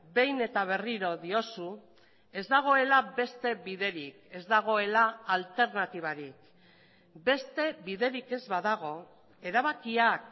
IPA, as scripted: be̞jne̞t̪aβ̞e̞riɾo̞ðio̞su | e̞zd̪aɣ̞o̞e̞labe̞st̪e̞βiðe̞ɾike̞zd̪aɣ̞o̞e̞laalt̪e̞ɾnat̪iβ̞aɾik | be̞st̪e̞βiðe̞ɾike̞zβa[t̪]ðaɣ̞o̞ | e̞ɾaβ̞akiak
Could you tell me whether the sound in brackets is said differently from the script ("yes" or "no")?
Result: yes